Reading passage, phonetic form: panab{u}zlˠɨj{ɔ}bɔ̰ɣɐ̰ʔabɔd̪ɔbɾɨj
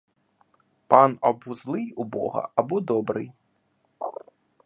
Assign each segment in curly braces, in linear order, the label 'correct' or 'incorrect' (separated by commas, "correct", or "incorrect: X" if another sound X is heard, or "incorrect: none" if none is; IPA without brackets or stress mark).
correct, incorrect: u